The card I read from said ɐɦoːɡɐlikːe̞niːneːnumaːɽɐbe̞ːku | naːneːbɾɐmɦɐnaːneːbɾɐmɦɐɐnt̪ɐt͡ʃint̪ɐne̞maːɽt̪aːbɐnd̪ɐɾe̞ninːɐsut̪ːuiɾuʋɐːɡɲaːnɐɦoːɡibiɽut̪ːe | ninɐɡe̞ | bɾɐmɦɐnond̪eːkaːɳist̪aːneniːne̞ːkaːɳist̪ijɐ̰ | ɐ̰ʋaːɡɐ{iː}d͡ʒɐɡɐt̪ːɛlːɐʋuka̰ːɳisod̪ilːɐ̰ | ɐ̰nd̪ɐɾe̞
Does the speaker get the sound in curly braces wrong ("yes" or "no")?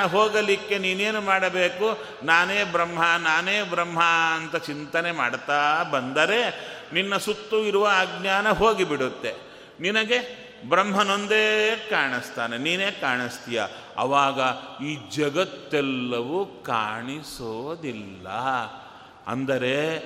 no